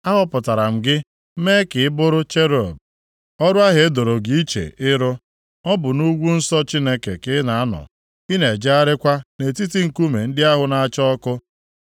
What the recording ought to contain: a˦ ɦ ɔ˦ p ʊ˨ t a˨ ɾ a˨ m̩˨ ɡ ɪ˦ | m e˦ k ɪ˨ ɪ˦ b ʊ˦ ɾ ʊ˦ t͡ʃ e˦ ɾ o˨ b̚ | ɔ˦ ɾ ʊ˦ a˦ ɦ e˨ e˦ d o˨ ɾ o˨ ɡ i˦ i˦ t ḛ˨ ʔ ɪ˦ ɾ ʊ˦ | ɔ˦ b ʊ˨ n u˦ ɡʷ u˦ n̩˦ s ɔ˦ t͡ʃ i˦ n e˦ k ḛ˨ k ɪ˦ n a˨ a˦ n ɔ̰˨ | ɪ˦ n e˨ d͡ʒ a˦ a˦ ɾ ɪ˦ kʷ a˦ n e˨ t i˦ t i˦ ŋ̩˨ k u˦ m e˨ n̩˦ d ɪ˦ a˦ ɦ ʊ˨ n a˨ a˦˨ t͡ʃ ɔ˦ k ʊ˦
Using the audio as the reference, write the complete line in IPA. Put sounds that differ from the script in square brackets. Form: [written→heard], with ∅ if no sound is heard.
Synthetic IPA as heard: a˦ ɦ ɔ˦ p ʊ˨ t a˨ ɾ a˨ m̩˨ ɡ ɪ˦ | m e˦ k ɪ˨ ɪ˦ b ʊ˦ ɾ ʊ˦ t͡ʃ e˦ ɾ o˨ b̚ | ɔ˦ ɾ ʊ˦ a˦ ɦ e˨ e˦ d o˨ ɾ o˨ ɡ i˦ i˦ [t→t͡ʃ] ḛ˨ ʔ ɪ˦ ɾ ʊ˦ | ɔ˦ b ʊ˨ n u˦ ɡʷ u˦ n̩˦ s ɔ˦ t͡ʃ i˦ n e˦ k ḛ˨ k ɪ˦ n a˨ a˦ n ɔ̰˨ | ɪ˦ n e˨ d͡ʒ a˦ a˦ ɾ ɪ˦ kʷ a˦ n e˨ t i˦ t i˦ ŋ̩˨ k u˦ m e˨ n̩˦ d ɪ˦ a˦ ɦ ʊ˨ n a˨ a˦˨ t͡ʃ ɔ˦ k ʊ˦